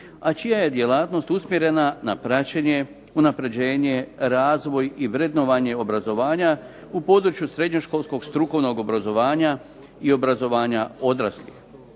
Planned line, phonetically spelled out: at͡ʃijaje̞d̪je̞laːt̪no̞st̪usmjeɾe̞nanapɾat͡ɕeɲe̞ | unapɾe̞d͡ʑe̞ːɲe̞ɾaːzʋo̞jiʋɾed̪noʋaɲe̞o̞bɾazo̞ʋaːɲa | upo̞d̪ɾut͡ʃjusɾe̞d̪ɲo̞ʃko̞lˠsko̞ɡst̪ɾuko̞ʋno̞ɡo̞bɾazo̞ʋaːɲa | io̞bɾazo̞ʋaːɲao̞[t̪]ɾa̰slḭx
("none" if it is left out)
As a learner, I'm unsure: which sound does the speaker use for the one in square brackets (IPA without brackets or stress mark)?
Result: d̪